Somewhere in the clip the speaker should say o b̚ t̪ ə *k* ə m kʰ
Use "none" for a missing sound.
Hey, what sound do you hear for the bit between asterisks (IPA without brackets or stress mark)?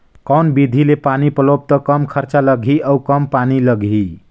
k